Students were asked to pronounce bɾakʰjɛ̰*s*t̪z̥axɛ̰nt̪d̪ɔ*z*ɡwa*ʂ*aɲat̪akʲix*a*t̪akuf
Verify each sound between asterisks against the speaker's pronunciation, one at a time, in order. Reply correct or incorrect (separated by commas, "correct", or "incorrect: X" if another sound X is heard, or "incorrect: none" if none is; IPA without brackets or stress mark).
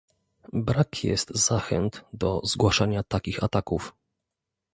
correct, correct, correct, correct